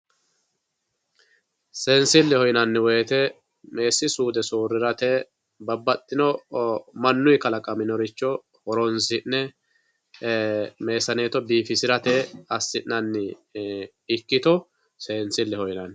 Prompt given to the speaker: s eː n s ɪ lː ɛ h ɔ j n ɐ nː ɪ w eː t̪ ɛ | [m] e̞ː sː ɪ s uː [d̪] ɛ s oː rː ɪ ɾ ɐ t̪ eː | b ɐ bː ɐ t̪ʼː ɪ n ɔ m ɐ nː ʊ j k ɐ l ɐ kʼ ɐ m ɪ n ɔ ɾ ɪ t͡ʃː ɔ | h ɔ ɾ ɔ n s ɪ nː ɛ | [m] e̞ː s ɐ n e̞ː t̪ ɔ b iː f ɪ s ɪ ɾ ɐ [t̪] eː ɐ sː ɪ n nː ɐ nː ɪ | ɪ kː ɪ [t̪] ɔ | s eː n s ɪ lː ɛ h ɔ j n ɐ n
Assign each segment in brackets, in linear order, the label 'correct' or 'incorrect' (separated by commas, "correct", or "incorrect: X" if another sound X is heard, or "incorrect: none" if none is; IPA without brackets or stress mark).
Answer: correct, correct, correct, correct, correct